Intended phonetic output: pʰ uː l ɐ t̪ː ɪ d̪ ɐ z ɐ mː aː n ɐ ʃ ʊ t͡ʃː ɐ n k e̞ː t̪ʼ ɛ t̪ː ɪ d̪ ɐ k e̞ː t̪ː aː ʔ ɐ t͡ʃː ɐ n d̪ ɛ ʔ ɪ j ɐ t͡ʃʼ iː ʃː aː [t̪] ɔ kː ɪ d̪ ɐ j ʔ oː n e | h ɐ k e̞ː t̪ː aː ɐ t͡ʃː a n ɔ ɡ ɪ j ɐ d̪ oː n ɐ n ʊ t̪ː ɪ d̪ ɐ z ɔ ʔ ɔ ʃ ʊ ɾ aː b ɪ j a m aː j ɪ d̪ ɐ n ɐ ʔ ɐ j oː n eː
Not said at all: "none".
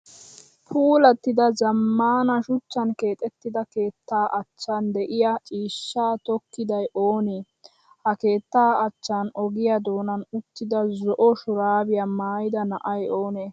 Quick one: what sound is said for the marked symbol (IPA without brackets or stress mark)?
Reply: t̪